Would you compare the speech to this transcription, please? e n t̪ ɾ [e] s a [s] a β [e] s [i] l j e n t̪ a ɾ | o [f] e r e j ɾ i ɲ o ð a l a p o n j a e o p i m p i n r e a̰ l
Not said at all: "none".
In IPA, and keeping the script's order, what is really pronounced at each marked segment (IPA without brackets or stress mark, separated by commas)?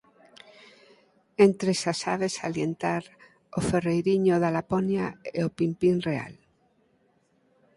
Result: e, s, e, a, f